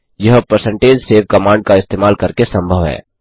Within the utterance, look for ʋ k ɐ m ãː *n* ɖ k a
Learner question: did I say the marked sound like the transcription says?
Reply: no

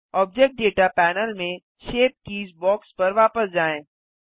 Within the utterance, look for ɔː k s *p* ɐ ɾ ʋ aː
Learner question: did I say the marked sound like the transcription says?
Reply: yes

